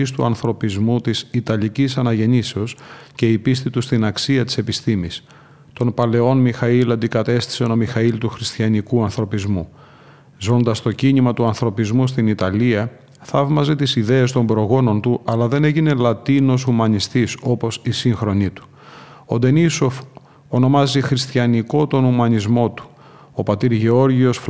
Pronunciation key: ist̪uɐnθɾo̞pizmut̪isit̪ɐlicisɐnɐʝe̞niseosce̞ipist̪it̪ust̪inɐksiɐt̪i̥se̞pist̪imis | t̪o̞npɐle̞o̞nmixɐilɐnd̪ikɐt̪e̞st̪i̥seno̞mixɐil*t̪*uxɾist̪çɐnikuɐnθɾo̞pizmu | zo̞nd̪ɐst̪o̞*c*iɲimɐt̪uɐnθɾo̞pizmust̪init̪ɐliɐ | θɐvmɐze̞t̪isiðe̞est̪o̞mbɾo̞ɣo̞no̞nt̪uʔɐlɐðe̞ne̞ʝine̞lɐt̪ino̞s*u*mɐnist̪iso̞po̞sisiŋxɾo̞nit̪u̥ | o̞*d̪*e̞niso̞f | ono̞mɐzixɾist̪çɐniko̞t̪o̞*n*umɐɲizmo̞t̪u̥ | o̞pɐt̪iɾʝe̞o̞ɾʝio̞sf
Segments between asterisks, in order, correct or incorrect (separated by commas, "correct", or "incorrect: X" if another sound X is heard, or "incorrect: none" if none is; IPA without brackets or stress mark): correct, correct, correct, correct, correct